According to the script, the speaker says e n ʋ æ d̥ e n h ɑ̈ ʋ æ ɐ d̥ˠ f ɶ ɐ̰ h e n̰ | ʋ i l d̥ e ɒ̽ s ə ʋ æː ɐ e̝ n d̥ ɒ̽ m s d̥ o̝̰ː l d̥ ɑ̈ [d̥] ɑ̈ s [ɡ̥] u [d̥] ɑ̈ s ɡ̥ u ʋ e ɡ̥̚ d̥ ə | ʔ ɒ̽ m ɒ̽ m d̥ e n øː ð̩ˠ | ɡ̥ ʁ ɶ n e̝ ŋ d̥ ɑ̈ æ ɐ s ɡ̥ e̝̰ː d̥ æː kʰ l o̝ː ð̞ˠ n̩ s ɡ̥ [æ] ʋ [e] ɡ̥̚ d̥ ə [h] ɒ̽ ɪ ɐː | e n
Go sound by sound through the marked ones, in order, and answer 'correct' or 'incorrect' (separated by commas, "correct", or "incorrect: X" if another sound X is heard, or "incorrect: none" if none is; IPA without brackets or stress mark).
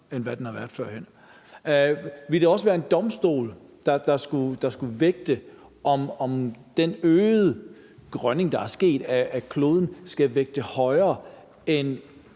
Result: correct, correct, correct, correct, correct, correct